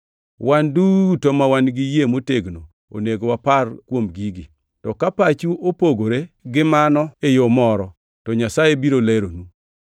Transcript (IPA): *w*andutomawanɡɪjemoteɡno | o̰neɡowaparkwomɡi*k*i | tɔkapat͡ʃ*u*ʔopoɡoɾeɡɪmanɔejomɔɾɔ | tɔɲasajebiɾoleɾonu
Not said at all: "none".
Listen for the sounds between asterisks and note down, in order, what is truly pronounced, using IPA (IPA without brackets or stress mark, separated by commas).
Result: w, ɡ, u